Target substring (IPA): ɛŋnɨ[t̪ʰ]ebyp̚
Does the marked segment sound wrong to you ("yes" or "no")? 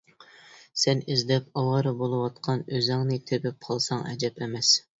no